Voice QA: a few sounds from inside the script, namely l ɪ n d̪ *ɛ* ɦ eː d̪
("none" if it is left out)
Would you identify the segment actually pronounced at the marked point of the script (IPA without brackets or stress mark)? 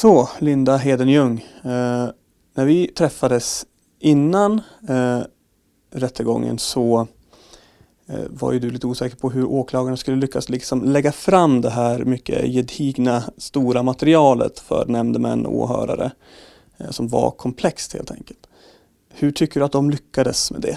a